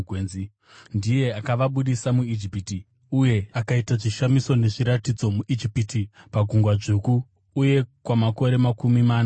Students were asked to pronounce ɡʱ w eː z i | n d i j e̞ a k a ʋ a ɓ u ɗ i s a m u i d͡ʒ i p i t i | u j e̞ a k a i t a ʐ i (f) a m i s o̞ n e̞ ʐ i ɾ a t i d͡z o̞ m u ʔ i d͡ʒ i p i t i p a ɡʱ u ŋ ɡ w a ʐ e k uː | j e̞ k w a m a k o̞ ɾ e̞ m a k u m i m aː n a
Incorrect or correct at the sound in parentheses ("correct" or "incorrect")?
incorrect